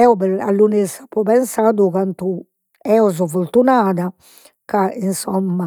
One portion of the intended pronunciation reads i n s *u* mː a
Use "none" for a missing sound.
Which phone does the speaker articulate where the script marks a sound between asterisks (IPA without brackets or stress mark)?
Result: ɔ